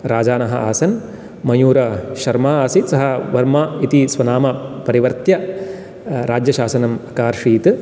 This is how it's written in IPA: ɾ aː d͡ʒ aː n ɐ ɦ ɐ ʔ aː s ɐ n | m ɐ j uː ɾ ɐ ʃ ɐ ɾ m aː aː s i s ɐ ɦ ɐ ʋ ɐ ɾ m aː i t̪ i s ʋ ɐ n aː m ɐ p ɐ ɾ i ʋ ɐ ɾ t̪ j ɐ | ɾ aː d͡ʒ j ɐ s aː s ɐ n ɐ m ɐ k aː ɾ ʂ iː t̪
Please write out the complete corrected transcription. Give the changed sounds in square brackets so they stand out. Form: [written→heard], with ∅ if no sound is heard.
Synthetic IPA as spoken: ɾ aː d͡ʒ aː n ɐ ɦ ɐ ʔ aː s ɐ n | m ɐ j uː ɾ ɐ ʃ ɐ ɾ m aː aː s i s ɐ ɦ ɐ ʋ ɐ ɾ m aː i t̪ i s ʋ ɐ n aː m ɐ p ɐ ɾ i ʋ ɐ ɾ t̪ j ɐ | ɾ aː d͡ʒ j ɐ [s→ʃ] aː s ɐ n ɐ m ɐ k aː ɾ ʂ iː t̪